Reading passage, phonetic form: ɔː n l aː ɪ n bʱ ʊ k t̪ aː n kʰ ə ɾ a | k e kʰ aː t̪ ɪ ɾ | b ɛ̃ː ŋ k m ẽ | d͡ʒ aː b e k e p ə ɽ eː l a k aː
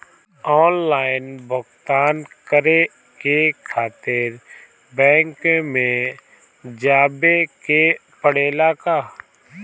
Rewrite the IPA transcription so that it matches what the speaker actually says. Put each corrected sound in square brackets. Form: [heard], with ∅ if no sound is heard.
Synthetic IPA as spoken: ɔː n l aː ɪ n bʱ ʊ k t̪ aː n [k] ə ɾ [e] | k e kʰ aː t̪ ɪ ɾ | b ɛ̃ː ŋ k m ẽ | d͡ʒ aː b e k e p ə ɽ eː l a k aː